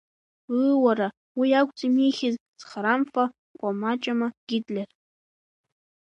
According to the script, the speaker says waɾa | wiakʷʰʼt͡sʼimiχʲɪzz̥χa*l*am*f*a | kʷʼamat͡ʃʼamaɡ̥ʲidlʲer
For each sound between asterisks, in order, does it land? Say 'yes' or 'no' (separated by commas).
no, yes